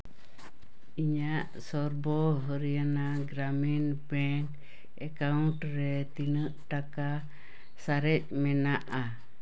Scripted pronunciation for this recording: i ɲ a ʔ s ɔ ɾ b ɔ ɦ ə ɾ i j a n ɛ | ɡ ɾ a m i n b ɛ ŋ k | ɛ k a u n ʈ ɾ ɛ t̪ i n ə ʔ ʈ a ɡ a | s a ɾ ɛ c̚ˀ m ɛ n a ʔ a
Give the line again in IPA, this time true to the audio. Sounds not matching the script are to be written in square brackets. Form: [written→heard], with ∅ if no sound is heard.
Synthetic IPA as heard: i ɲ a ʔ s ɔ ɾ b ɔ ɦ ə ɾ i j a n [ɛ→a] | ɡ ɾ a m i n b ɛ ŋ k | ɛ k a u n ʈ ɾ ɛ t̪ i n ə ʔ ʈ a [ɡ→k] a | s a ɾ ɛ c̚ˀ m ɛ n a ʔ a

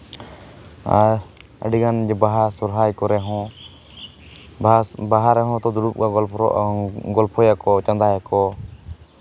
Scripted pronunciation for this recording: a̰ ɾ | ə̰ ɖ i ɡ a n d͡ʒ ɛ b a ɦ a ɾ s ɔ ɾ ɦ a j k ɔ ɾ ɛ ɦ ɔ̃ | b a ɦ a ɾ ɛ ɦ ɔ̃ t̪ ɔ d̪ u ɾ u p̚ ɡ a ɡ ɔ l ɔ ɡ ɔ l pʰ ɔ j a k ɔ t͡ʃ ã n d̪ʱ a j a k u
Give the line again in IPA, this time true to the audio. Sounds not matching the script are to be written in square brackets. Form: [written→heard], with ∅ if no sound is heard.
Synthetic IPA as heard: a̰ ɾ | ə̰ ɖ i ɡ a n d͡ʒ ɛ b a ɦ a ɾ s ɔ ɾ ɦ a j k ɔ ɾ ɛ ɦ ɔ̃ | b a ɦ a ɾ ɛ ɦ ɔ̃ t̪ ɔ d̪ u ɾ u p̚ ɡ a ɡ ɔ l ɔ ɡ ɔ l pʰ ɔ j a k ɔ t͡ʃ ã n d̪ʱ a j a k [u→ɔ]

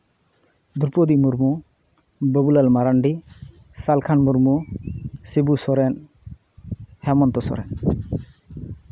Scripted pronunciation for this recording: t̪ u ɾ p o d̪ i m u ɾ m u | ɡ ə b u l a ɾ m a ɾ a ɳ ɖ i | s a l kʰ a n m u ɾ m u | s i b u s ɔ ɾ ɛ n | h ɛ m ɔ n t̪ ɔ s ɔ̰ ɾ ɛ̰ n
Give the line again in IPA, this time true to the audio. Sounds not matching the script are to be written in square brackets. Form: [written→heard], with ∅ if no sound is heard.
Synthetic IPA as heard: [t̪→d̪] u ɾ p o d̪ i m u ɾ m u | [ɡ→b] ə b u l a [ɾ→l] m a ɾ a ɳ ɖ i | s a l kʰ a n m u ɾ m u | s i b u s ɔ ɾ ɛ n | h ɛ m ɔ n t̪ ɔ s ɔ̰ ɾ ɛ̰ n

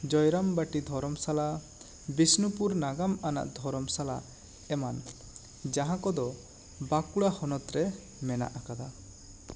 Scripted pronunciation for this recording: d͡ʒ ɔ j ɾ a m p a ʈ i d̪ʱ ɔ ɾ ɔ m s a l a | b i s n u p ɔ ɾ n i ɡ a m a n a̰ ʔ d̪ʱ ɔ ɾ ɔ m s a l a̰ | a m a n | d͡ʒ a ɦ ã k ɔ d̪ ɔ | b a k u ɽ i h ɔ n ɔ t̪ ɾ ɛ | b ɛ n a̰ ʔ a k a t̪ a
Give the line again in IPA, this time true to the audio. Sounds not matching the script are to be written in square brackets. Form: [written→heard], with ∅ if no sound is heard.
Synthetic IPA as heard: d͡ʒ ɔ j ɾ a m [p→b] a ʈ i d̪ʱ ɔ ɾ ɔ m s a l a | b i s n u p [ɔ→u] ɾ n [i→a] ɡ a m a n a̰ ʔ d̪ʱ ɔ ɾ ɔ m s a l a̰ | [a→ɛ] m a n | d͡ʒ a ɦ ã k ɔ d̪ ɔ | b a k u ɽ [i→a] h ɔ n ɔ t̪ ɾ ɛ | [b→m] ɛ n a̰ ʔ a k a [t̪→d̪] a

